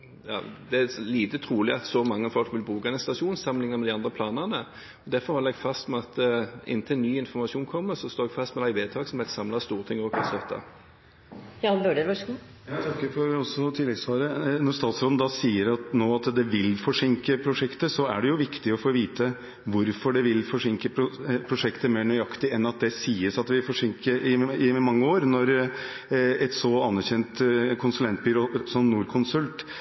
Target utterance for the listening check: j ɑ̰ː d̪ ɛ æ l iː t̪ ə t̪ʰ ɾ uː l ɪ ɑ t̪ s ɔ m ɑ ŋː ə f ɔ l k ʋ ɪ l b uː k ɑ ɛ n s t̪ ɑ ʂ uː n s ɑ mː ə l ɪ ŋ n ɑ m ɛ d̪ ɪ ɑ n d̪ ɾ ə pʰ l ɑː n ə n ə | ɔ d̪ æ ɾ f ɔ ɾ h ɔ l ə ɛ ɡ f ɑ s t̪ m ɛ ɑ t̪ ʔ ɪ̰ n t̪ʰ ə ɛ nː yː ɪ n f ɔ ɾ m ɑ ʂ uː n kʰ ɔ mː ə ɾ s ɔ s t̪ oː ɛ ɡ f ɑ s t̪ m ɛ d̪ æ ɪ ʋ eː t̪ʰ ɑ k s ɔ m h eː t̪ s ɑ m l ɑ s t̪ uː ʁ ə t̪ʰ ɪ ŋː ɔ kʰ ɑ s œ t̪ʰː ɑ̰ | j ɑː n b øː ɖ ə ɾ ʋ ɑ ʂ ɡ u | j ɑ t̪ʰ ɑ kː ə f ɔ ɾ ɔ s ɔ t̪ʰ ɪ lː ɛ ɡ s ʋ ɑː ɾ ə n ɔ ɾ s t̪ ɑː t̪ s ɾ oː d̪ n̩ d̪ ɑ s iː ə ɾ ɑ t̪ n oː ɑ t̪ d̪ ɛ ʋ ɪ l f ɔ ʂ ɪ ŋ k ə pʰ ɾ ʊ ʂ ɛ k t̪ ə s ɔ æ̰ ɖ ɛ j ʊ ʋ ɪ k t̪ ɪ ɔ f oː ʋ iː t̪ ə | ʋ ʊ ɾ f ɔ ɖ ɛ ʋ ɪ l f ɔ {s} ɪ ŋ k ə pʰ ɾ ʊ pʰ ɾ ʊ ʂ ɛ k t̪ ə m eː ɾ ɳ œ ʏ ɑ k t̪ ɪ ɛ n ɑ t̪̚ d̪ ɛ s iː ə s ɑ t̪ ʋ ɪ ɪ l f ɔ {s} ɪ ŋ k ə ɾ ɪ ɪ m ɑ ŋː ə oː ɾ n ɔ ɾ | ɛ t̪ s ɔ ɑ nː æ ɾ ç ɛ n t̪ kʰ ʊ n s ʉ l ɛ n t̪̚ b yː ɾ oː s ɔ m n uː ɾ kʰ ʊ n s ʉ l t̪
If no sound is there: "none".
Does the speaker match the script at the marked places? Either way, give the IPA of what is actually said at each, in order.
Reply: ʂ, ʂ

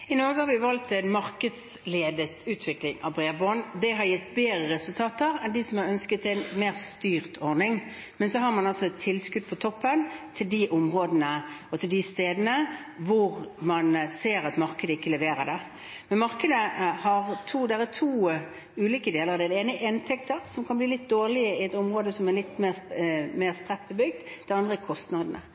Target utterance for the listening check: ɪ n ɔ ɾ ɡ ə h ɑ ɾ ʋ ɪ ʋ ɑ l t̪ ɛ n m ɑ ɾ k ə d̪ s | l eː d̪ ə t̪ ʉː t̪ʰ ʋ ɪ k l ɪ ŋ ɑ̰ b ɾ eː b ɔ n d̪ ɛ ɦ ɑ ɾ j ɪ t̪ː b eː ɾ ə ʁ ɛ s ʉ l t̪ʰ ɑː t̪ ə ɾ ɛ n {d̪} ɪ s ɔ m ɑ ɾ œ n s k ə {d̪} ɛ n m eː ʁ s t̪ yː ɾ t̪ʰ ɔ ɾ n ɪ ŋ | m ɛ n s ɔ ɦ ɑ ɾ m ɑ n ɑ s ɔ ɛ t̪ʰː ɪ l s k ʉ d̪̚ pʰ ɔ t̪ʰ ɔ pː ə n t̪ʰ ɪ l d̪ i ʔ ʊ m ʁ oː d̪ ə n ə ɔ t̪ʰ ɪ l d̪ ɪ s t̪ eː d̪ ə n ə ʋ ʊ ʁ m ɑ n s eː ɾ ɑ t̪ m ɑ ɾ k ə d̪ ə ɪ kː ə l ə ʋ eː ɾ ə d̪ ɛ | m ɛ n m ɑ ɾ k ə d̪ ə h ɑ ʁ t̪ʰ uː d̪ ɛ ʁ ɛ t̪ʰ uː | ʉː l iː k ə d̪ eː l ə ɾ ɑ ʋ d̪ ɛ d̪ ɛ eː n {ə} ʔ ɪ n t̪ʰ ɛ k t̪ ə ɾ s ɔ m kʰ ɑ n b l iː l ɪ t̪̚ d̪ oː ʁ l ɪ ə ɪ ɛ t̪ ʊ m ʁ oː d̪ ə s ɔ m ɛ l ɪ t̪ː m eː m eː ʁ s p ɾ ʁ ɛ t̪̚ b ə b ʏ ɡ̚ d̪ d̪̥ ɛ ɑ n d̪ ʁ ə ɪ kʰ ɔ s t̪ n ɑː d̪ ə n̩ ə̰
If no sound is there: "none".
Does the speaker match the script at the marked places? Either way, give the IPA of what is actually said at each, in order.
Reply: d̪, t̪, ə

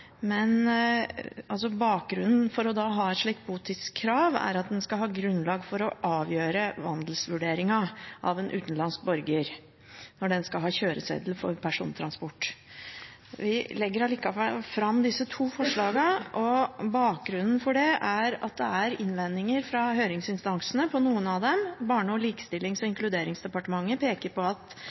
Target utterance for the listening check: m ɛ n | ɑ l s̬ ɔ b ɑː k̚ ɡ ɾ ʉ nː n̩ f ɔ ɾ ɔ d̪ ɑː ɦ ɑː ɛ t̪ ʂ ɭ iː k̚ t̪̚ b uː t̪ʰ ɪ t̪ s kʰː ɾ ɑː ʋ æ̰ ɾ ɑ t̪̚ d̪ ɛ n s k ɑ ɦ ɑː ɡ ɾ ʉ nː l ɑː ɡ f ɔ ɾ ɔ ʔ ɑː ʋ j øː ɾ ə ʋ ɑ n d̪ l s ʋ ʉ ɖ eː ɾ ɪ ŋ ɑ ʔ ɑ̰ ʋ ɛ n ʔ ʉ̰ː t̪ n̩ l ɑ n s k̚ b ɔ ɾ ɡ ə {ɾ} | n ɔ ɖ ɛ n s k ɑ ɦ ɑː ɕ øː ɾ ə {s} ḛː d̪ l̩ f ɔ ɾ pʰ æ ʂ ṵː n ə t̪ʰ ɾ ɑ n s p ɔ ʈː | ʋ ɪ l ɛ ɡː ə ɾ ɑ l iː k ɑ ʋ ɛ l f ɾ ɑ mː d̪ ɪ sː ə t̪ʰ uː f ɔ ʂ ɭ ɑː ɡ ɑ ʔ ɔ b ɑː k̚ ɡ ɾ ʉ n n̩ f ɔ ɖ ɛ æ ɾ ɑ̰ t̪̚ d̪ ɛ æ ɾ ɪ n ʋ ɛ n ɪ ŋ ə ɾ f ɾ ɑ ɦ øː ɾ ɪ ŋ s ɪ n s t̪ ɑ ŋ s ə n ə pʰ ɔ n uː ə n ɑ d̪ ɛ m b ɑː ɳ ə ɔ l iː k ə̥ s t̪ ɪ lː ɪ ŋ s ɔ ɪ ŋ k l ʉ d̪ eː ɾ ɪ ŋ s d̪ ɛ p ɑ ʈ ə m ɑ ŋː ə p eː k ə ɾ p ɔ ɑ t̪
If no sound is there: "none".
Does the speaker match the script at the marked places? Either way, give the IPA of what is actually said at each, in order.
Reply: ɾ, s

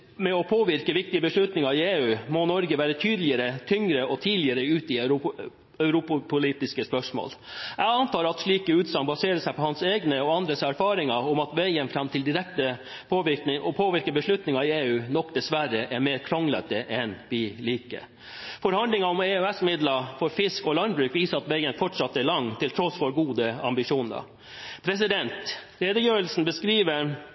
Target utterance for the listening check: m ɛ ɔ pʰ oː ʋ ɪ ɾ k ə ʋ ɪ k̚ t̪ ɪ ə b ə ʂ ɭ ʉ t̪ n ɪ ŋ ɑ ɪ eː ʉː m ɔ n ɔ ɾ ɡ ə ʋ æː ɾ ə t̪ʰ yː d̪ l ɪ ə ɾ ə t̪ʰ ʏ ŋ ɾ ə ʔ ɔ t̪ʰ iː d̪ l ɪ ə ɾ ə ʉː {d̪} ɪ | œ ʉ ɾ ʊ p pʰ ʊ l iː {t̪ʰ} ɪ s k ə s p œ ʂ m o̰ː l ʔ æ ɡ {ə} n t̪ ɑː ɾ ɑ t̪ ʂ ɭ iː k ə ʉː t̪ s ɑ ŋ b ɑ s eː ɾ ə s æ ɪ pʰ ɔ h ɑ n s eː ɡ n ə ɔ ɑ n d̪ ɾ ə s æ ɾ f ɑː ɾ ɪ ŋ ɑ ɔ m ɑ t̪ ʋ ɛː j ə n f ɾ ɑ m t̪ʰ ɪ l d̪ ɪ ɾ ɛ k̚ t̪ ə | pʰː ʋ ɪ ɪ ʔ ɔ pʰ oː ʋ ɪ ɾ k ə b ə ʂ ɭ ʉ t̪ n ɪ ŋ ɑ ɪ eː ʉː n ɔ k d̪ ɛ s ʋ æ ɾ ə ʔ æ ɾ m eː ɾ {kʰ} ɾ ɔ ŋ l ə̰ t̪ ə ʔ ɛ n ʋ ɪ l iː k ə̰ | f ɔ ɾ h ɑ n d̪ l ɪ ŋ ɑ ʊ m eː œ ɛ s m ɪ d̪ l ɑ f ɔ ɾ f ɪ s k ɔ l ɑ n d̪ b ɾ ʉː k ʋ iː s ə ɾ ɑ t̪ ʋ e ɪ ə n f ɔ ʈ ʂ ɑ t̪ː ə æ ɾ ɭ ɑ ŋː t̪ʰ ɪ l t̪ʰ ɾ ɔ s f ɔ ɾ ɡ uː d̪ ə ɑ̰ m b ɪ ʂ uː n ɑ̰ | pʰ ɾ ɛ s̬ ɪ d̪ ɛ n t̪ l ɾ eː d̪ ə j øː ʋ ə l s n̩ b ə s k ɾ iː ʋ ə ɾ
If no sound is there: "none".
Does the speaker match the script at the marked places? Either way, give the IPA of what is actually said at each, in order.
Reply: t̪, t̪, ɑ, kʰ

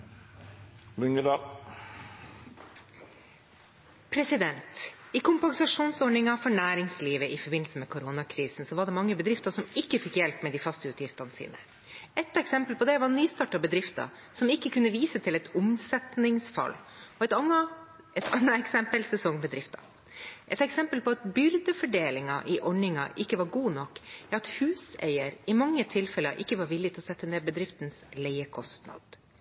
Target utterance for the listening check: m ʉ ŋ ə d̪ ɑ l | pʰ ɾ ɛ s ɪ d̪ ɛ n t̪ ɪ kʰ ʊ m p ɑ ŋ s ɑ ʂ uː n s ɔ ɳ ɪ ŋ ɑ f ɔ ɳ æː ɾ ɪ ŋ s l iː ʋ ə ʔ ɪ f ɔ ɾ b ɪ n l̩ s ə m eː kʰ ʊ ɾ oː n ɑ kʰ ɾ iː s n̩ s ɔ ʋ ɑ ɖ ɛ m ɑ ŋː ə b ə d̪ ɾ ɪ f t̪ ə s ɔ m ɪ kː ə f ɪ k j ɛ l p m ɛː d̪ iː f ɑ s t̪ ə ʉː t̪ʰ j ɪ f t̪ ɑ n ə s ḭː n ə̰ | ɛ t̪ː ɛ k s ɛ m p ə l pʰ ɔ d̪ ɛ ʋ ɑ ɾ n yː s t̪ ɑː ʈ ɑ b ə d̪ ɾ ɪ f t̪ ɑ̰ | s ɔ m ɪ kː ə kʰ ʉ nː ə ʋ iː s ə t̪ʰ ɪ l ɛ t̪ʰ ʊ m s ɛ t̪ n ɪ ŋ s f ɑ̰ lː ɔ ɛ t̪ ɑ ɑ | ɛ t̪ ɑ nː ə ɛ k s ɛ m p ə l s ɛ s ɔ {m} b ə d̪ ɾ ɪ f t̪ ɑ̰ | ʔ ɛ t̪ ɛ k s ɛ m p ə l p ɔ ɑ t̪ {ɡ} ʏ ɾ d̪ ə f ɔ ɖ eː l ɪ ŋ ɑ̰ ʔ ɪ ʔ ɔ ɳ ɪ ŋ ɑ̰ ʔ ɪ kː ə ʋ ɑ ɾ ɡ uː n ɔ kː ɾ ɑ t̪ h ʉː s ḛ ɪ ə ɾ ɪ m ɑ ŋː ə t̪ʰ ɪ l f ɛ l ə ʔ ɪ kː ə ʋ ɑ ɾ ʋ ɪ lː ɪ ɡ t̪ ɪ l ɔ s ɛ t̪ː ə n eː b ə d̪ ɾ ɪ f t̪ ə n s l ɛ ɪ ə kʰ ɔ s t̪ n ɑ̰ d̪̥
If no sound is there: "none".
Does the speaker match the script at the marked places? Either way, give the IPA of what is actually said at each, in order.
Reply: ŋ, b

